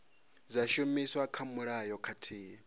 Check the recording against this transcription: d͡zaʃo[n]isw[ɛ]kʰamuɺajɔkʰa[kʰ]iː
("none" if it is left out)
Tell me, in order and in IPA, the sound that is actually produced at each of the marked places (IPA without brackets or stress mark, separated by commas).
m, a, tʰ